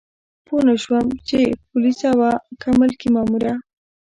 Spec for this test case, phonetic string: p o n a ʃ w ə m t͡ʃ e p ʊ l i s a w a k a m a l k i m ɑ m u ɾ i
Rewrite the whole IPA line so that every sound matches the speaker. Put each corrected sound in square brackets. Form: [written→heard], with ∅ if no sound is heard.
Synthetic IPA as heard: p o n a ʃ w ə m t͡ʃ e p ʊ l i s a w a k a m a l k i m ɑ m u ɾ [i→a]